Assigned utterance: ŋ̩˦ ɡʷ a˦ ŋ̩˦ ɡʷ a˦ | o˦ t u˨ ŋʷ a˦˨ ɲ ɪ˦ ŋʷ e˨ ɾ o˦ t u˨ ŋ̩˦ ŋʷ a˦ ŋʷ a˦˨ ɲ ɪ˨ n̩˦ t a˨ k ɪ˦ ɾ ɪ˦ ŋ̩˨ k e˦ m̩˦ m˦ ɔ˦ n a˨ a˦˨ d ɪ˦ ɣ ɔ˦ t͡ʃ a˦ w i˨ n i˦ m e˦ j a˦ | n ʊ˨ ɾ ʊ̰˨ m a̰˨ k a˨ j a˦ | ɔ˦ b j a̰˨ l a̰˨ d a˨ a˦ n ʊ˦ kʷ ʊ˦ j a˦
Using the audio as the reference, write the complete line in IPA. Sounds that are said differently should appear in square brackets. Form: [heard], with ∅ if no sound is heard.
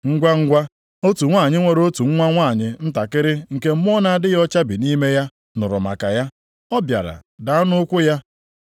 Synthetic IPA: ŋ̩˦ ɡʷ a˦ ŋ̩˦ ɡʷ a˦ | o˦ t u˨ ŋʷ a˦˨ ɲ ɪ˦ ŋʷ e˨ ɾ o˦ t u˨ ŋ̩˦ ŋʷ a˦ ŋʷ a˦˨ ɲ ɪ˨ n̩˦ t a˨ k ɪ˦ ɾ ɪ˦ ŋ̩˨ k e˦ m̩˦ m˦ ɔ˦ n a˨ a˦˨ d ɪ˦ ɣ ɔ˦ t͡ʃ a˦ [b] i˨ n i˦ m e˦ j a˦ | n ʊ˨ ɾ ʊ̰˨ m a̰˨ k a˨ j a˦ | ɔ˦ b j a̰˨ [ɾ] a̰˨ d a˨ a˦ n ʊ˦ kʷ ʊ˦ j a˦

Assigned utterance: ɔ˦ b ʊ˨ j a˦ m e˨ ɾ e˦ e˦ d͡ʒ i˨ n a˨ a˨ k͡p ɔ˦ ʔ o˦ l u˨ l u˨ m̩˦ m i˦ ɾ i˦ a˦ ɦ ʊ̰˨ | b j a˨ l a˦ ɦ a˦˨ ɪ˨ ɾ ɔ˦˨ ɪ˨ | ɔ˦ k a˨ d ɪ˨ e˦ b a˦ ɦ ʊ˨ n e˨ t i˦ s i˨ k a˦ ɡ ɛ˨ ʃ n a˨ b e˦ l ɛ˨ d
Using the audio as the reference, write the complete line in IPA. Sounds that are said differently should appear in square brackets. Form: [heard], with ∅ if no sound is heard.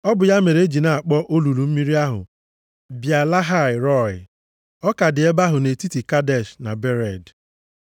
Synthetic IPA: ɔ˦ b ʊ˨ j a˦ m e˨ ɾ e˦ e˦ d͡ʒ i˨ n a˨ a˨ k͡p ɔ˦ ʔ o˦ l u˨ l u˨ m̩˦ m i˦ ɾ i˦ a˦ ɦ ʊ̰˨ | b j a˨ l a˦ ɦ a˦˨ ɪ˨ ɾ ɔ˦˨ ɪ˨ | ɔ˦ k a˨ d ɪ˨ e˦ b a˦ ɦ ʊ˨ n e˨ t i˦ [t] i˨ k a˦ [d] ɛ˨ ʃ n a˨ b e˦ [ɾ] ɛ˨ d

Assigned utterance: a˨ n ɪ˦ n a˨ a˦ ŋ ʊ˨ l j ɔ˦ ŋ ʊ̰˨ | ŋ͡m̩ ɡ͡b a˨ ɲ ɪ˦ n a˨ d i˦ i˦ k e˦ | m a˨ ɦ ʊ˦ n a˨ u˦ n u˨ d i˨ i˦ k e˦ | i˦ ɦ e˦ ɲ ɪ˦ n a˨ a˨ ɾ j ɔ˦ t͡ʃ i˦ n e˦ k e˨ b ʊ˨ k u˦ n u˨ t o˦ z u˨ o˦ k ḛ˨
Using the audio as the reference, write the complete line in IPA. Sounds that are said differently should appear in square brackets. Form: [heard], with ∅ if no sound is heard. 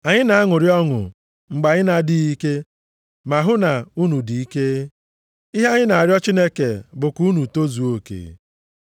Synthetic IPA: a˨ [ɲ] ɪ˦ n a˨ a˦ ŋ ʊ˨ [ɾ] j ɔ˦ ŋ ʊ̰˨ | ŋ͡m̩ ɡ͡b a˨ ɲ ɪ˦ n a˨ d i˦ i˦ k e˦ | m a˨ ɦ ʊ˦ n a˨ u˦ n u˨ d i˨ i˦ k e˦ | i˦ ɦ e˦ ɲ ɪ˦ n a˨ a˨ ɾ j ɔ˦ t͡ʃ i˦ n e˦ k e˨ b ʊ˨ k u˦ n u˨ t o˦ z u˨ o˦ k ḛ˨

